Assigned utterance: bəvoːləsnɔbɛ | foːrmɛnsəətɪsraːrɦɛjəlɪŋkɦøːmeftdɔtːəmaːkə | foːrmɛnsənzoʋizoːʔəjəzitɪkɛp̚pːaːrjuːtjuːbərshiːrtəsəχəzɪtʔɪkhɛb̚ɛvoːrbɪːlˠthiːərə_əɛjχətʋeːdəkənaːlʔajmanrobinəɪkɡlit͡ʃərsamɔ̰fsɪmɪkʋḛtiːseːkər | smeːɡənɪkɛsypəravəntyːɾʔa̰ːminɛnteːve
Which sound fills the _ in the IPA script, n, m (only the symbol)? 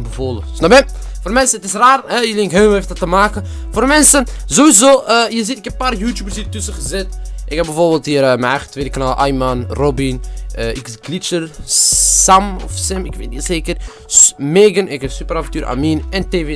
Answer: m